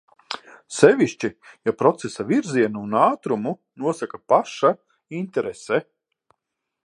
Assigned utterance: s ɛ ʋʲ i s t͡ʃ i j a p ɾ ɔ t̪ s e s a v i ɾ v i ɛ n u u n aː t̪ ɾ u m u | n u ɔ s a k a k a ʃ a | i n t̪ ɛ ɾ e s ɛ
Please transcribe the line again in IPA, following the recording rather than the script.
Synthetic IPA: s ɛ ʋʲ i ʃ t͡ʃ i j a p ɾ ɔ t̪ s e s a v i ɾ z i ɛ n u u n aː t̪ ɾ u m u | n u ɔ s a k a p a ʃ a | i n t̪ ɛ ɾ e s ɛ